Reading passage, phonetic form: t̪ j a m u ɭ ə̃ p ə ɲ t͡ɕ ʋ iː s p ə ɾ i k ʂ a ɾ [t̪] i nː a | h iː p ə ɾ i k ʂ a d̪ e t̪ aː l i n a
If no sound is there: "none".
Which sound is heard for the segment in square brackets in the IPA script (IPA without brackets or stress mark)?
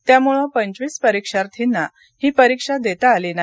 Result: t̪ʰ